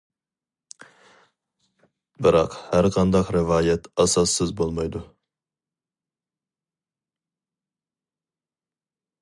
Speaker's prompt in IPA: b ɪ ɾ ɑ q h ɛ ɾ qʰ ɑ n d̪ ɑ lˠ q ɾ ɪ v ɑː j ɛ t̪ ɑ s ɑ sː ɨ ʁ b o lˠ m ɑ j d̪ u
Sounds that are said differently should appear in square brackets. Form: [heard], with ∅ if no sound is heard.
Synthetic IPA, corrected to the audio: b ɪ ɾ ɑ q h [æ] ɾ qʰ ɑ n d̪ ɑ [∅] q ɾ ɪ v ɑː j ɛ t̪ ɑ s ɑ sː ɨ [z] b o lˠ m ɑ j d̪ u